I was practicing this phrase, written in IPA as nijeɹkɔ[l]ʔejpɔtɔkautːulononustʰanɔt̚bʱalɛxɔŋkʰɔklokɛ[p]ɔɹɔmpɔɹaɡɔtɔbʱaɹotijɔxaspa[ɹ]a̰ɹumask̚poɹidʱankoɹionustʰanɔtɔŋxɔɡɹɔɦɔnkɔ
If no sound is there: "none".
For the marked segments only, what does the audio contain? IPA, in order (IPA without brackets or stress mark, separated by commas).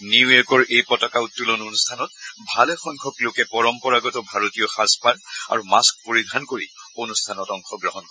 ɹ, p, ɹ